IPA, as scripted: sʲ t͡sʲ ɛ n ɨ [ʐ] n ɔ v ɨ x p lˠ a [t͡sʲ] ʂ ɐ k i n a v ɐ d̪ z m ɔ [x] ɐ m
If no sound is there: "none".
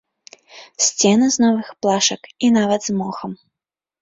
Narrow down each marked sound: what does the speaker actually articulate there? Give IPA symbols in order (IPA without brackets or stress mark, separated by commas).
z, none, x